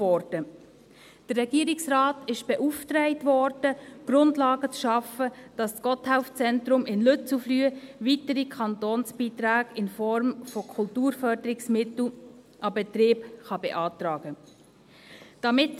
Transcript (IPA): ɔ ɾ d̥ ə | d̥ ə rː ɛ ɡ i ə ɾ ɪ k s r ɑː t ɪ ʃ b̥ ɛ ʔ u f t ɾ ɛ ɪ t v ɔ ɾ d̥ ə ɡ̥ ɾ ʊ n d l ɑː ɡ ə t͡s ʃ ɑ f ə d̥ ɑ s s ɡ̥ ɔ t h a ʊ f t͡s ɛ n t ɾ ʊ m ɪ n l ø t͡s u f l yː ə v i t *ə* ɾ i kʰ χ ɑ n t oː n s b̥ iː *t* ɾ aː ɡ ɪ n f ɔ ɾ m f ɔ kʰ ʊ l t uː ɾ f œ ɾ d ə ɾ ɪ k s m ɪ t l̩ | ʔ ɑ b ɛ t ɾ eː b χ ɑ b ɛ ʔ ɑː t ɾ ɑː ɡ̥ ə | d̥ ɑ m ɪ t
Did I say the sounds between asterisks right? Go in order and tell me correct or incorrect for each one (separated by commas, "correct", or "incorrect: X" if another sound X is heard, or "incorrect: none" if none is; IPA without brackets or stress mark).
correct, correct